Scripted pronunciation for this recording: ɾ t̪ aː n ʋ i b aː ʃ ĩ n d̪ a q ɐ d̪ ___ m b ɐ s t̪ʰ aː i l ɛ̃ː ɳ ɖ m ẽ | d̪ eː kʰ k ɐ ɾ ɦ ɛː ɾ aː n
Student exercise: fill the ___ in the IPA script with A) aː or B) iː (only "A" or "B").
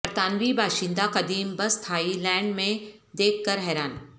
B